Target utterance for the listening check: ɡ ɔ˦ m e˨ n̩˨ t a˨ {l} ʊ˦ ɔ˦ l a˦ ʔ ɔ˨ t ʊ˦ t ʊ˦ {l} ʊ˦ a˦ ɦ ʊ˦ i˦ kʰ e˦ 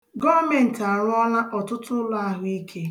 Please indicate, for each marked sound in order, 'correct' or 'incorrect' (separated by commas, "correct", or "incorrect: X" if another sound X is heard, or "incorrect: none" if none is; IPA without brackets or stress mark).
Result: incorrect: ɾ, correct